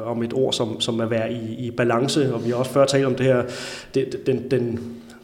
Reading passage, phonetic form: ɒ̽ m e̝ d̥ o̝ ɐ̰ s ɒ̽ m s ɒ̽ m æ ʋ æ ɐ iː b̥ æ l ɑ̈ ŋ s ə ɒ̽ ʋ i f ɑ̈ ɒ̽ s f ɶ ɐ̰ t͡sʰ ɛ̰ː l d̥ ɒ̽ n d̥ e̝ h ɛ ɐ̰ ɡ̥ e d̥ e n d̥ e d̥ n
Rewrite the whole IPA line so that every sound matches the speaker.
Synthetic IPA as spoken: ɒ̽ m e̝ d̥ o̝ ɐ̰ s ɒ̽ m s ɒ̽ m æ ʋ æ ɐ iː b̥ æ l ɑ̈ ŋ s ə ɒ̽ ʋ i h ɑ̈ ɒ̽ s f ɶ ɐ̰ t͡sʰ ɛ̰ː l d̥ ɒ̽ m d̥ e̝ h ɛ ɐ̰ d̥ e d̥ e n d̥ e n